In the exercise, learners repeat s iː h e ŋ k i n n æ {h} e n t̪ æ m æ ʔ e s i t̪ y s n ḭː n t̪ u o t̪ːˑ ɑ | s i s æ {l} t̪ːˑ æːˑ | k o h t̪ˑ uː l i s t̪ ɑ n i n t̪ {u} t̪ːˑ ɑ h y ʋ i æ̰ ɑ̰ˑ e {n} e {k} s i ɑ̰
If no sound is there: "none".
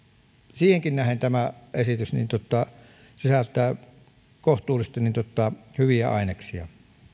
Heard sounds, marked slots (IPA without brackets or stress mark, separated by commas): h, l, o, n, k